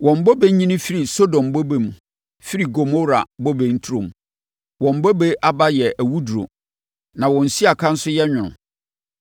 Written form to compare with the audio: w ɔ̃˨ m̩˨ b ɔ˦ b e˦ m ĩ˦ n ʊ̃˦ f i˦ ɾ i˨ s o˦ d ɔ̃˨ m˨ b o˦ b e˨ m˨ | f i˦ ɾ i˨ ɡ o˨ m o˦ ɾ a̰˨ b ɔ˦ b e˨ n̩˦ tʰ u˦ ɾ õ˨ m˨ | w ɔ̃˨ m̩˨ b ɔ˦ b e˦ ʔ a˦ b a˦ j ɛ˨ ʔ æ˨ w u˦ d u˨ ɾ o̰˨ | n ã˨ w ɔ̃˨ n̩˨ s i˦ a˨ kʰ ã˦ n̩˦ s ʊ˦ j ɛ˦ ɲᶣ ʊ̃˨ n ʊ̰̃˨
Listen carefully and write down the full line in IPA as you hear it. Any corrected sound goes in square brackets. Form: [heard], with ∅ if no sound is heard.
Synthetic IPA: w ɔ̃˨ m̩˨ b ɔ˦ b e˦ [ɲ] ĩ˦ n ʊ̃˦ f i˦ ɾ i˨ s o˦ d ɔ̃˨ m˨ b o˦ b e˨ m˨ | f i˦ ɾ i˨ ɡ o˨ m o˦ ɾ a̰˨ b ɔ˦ b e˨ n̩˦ tʰ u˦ ɾ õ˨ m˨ | w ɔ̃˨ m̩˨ b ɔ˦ b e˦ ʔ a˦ b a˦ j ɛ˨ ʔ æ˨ w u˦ d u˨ ɾ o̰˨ | n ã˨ w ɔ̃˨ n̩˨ s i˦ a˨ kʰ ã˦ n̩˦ s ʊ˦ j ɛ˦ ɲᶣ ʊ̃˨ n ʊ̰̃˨